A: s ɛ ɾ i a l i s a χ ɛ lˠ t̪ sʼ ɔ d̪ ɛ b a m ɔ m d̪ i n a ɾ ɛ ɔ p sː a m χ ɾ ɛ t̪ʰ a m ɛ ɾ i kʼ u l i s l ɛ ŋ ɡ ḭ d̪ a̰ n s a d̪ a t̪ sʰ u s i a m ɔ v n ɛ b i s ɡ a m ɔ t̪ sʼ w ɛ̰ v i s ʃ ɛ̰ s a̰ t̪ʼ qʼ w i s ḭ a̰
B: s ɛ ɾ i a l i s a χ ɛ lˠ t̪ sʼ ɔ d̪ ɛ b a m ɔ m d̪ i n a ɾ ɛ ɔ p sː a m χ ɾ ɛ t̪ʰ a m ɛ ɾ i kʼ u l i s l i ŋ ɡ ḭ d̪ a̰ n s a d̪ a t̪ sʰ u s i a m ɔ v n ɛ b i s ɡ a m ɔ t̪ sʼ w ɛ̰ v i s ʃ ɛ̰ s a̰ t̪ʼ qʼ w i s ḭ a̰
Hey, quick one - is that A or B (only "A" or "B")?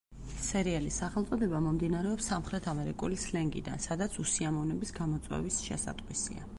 A